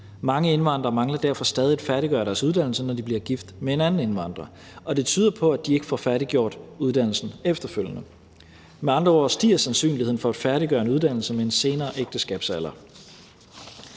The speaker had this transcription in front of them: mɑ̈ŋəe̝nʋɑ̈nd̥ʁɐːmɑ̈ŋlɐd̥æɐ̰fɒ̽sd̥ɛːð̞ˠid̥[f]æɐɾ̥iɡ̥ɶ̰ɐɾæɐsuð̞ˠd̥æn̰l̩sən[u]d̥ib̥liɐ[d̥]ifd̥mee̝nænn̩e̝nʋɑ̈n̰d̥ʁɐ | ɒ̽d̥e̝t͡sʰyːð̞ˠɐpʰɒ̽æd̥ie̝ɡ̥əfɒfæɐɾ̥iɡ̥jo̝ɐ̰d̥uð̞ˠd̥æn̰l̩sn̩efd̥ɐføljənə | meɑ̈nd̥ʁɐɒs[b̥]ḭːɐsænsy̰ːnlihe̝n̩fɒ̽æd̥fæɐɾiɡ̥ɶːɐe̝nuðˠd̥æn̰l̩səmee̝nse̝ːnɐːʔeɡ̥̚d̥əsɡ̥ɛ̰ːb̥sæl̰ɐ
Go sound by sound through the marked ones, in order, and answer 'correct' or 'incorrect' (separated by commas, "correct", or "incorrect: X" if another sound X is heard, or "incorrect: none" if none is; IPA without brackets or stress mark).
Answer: correct, incorrect: ɒ, incorrect: ɡ̥, incorrect: d̥